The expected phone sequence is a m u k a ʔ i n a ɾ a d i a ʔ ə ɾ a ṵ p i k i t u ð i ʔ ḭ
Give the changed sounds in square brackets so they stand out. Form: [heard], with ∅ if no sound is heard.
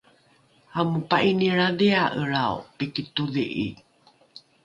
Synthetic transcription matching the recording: a m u [p] a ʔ i n [i] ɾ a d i a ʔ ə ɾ a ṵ p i k i t u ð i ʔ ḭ